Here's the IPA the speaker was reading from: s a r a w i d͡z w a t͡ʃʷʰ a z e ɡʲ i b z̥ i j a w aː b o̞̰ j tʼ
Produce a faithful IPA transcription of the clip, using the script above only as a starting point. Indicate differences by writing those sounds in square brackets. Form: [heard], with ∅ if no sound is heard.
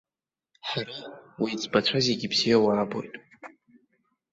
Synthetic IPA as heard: [ħ] a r a w i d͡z [b] a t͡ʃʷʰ a z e ɡʲ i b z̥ i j a w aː b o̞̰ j tʼ